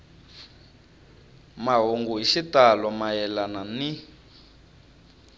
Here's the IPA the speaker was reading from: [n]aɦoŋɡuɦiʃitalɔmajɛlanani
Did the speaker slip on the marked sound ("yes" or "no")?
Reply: yes